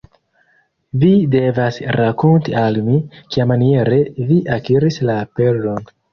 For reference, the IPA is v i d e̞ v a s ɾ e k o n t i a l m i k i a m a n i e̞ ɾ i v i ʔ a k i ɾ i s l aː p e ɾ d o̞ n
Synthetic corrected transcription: v i d e̞ v a s ɾ a k o n t i a l m i k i a m a n i e̞ ɾ e v i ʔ a k i ɾ i s l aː p e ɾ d o̞ n